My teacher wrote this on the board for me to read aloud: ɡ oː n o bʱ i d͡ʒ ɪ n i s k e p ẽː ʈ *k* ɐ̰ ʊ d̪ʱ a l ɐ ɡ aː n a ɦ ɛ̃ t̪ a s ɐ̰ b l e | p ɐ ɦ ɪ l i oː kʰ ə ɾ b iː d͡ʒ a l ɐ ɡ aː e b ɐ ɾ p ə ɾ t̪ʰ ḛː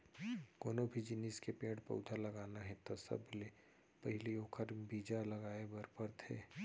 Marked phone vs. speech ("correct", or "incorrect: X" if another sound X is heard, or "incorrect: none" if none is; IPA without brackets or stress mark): incorrect: p